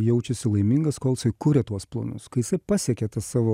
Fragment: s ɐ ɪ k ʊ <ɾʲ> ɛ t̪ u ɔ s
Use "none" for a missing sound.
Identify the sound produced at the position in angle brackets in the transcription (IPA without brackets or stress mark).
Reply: ɾʲ